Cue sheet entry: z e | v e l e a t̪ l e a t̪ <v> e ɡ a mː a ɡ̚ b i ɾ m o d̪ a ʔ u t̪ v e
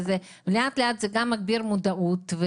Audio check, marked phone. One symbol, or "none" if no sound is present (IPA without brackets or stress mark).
z